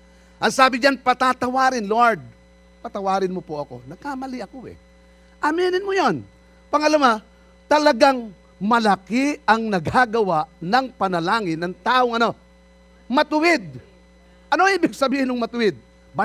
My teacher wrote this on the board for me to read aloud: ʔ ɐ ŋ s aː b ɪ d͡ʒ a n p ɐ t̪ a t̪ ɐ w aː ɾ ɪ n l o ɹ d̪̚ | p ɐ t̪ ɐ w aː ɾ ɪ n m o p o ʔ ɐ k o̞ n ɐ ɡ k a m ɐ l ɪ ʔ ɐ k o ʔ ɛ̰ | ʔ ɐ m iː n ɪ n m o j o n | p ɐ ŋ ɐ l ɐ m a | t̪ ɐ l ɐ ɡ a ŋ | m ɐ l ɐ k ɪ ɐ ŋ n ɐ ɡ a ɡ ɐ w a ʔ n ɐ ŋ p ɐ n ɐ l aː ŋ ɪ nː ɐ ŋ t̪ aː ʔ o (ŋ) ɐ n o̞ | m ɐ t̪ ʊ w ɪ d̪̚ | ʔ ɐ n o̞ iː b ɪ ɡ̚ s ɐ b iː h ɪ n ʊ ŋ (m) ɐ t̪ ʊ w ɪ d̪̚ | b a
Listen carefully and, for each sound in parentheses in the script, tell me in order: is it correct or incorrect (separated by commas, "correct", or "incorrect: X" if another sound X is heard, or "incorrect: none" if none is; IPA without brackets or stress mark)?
correct, correct